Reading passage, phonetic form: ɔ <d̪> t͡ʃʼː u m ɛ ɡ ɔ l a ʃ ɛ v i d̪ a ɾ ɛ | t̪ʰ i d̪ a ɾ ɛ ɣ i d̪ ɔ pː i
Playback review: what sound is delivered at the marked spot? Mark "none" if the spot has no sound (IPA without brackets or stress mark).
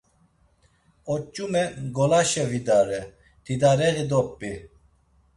none